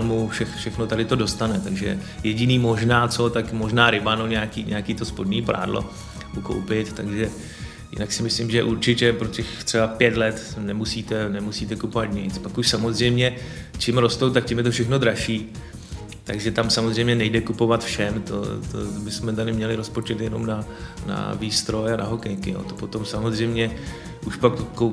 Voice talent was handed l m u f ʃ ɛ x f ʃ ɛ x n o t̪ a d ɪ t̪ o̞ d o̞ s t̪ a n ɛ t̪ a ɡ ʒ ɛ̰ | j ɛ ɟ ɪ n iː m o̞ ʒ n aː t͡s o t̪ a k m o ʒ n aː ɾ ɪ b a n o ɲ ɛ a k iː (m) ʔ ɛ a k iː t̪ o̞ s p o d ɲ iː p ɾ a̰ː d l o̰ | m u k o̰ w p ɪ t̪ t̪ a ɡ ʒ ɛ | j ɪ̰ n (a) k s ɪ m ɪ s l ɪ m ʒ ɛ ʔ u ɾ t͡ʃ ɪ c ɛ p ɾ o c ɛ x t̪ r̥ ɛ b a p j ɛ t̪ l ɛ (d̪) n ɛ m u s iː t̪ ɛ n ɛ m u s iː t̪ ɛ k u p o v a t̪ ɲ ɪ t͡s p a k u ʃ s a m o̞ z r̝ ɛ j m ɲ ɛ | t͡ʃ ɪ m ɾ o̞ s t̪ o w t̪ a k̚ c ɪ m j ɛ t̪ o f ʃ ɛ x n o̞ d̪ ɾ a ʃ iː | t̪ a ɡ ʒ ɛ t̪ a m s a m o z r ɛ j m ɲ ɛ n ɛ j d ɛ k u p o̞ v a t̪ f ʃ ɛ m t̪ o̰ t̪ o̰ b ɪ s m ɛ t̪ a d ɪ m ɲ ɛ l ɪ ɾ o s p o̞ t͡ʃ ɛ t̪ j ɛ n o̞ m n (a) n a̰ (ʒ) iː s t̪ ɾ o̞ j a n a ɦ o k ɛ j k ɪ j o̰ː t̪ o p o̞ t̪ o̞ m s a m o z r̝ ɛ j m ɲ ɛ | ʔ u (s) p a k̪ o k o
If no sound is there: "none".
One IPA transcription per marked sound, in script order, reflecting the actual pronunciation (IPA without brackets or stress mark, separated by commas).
ɲ, a, t̪, a, v, ʃ